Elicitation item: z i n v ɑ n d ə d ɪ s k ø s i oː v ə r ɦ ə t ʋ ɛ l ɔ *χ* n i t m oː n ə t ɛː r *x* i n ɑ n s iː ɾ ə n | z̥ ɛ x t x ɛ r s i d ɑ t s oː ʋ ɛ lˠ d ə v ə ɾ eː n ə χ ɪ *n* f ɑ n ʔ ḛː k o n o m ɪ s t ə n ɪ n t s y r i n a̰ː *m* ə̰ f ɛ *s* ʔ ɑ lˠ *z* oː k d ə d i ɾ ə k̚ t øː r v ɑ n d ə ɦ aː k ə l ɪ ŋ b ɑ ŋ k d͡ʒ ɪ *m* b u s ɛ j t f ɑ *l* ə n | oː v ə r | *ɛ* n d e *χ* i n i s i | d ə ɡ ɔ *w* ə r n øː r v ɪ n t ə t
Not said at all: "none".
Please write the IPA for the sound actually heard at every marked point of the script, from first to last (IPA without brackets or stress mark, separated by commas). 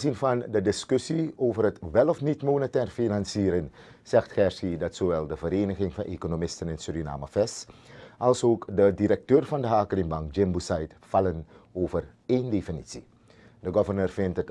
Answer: f, f, ŋ, m, s, s, m, l, e, f, v